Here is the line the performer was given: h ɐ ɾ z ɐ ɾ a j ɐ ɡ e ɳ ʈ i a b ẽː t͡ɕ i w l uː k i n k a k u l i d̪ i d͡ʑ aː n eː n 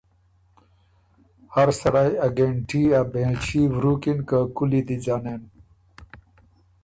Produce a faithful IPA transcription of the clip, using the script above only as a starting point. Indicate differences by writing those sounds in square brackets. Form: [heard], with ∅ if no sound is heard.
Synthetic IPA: h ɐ ɾ [s] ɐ ɾ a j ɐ ɡ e ɳ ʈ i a b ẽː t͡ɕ i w [ɾ] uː k i n k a k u l i d̪ i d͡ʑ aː n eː n